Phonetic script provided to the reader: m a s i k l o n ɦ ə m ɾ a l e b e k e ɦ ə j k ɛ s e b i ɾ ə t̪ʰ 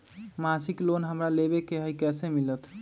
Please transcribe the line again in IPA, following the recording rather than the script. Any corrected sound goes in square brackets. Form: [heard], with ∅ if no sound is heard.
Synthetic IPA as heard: m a s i k l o n ɦ ə m ɾ a l e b e k e ɦ ə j k ɛ s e [m] i [l] ə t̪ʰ